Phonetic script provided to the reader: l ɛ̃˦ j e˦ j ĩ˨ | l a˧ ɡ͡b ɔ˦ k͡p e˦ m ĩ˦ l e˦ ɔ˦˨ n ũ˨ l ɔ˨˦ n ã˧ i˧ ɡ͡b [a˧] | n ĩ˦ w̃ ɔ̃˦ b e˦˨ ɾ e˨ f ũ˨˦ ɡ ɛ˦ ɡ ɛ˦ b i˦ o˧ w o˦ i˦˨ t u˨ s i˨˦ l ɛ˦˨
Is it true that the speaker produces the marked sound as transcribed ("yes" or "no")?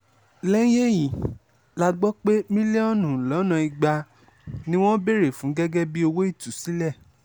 yes